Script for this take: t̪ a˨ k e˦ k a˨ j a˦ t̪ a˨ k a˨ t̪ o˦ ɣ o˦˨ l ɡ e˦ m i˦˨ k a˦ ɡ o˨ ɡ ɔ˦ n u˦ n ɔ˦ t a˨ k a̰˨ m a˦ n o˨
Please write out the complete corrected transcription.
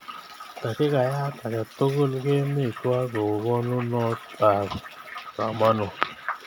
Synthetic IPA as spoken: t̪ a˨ k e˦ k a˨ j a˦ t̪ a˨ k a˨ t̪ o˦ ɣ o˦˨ l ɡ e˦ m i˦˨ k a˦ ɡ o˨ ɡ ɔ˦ n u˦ n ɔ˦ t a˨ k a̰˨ m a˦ n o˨